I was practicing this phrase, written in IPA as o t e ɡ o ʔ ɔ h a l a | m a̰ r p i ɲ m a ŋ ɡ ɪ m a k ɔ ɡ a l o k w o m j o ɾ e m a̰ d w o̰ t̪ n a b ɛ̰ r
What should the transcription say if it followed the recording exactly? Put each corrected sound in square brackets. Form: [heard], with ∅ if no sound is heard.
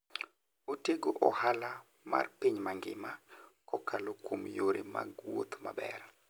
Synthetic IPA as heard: o t e ɡ o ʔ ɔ h a l a | m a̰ r p i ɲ m a ŋ ɡ ɪ m a k ɔ [k] a l o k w o m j o ɾ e m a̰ [ɡ] w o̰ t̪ [m] a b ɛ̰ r